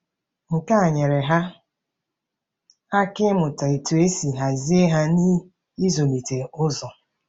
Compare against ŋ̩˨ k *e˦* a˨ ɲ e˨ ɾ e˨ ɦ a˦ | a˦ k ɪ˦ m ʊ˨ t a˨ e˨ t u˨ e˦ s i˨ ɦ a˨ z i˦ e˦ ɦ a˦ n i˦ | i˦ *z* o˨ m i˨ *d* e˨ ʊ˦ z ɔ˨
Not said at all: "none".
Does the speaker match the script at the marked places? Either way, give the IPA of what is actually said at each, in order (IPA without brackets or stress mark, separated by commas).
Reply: a˦, z, t